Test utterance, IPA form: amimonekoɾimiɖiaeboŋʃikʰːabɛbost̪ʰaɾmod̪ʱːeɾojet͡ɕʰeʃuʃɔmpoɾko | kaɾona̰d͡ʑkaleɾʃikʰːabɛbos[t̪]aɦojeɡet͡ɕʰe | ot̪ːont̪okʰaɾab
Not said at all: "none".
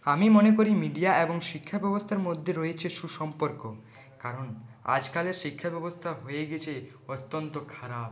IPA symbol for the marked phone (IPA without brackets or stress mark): t̪ʰ